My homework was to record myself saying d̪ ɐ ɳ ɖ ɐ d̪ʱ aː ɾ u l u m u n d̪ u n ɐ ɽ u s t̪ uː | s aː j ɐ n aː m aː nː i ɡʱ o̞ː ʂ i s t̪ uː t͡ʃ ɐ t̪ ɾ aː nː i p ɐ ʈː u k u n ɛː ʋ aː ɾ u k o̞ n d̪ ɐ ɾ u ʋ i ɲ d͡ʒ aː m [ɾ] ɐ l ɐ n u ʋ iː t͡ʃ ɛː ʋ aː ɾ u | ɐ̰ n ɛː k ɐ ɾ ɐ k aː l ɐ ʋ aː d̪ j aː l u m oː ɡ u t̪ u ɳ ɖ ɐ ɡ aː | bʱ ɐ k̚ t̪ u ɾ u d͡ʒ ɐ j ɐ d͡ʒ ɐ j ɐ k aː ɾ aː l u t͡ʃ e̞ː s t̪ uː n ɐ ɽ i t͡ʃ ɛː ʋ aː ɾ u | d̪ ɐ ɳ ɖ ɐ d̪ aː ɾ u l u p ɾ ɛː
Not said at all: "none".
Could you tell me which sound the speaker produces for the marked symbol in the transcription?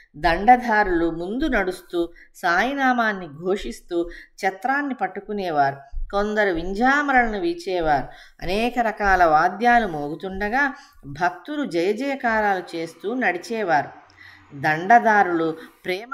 ɾ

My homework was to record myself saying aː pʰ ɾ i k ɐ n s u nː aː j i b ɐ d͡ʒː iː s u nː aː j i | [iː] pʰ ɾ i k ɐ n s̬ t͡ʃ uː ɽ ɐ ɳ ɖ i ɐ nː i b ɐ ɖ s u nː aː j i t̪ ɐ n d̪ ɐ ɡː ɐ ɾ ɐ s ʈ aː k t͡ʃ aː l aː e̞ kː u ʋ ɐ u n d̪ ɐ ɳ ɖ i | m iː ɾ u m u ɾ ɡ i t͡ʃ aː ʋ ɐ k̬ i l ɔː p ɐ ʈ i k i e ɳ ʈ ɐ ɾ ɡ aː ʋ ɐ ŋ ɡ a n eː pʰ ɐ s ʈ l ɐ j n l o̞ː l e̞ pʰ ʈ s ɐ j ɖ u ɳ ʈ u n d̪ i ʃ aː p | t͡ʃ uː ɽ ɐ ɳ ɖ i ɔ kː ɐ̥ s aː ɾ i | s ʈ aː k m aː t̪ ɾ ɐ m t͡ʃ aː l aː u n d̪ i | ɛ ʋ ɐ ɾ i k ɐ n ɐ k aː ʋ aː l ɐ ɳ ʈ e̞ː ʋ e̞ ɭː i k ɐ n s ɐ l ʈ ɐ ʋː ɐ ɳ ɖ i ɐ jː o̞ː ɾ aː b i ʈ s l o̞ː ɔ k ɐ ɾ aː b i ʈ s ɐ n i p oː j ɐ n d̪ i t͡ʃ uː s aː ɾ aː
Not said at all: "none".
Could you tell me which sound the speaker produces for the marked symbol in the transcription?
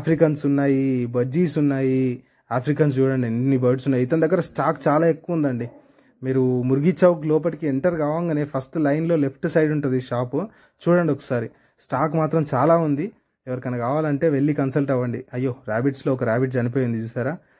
aː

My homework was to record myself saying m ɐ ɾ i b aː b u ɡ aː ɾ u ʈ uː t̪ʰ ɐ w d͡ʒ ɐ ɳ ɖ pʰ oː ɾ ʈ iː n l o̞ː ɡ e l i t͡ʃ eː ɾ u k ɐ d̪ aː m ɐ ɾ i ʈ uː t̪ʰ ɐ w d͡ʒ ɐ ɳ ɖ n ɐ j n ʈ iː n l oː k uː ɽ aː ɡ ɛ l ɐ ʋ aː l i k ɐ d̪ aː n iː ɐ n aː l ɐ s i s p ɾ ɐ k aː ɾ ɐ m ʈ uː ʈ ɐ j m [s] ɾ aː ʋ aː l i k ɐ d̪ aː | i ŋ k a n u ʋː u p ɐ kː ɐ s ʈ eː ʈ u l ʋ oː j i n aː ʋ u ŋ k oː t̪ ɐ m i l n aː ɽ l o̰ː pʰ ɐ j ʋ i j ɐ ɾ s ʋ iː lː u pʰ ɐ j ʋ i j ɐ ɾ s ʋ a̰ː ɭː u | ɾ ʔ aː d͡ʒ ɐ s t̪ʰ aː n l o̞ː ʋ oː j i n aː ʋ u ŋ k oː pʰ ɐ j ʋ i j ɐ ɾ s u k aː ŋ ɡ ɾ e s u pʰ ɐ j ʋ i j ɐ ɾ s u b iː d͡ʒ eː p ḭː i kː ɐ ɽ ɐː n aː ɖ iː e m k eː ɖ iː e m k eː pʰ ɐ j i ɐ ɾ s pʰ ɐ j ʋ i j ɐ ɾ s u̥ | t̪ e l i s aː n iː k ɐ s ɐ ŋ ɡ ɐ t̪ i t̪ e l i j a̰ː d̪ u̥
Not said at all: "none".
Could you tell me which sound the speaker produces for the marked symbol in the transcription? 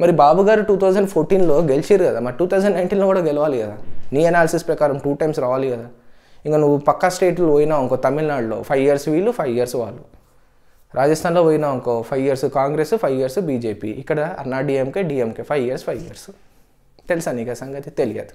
s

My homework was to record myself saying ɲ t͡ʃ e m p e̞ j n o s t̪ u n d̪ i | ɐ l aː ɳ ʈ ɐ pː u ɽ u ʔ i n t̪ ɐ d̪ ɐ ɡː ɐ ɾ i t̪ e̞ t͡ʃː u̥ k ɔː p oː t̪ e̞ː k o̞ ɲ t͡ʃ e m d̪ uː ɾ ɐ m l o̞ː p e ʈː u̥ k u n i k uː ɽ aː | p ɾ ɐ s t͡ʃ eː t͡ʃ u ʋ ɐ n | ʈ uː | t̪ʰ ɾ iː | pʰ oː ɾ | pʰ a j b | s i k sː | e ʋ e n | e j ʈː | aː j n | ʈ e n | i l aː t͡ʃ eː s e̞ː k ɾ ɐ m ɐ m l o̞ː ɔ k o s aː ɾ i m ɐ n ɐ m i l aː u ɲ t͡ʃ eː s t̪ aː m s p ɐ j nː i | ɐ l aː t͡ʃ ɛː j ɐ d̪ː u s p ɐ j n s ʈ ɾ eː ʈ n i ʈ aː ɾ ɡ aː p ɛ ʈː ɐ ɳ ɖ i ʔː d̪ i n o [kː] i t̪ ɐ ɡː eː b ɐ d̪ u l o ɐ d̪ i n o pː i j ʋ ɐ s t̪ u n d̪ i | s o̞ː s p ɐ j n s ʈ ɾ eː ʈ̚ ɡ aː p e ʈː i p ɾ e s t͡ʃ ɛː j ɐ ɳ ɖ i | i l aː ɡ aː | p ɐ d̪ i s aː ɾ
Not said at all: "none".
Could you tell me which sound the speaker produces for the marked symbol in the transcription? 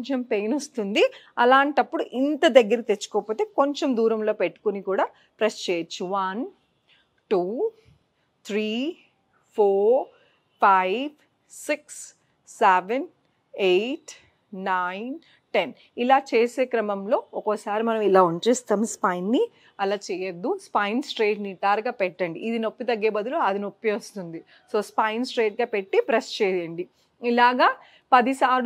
pː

